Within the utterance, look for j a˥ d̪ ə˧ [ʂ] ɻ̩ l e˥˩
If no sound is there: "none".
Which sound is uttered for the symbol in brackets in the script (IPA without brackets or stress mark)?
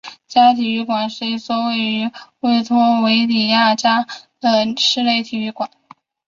ʂ